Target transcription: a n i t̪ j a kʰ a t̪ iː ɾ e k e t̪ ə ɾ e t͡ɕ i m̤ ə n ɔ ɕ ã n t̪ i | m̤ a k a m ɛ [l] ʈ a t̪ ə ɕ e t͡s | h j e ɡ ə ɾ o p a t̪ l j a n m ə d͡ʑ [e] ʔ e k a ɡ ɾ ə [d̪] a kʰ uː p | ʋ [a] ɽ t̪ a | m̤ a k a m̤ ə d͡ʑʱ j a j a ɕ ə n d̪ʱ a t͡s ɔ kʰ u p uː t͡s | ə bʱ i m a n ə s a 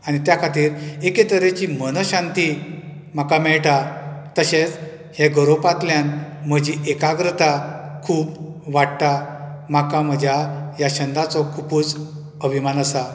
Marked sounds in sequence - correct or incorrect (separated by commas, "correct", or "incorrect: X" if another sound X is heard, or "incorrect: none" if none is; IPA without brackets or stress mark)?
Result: incorrect: ɭ, incorrect: i, incorrect: t̪, correct